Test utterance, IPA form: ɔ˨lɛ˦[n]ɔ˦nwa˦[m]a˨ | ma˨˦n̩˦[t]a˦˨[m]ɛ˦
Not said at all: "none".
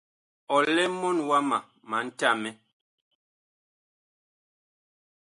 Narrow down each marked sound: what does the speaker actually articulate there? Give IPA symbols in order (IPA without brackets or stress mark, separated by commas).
m, m, t, m